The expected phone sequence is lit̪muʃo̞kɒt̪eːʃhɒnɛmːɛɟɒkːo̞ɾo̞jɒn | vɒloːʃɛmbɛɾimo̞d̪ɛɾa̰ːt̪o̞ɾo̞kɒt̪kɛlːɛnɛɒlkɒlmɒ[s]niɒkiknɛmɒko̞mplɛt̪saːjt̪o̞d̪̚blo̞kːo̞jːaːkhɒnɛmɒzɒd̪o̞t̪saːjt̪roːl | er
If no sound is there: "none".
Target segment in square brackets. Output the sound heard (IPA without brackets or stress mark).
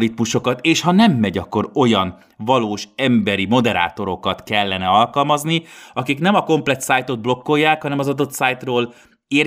z